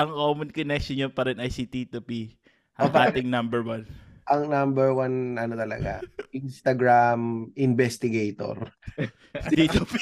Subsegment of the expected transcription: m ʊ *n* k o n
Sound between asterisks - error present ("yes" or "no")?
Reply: no